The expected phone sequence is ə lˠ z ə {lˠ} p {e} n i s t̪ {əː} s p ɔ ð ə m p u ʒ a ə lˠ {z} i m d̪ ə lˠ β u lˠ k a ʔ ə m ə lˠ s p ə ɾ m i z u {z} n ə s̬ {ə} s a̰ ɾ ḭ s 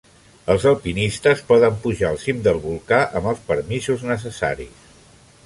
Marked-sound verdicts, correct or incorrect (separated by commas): correct, incorrect, incorrect, incorrect, correct, correct